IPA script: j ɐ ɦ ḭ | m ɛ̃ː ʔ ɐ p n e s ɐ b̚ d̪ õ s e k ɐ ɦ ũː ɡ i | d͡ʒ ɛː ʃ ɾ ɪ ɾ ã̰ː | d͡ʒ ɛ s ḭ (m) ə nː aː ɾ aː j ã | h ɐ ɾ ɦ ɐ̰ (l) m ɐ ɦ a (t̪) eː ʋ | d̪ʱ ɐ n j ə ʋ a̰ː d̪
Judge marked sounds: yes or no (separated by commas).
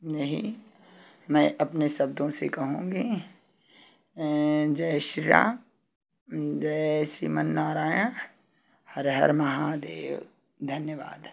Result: yes, no, no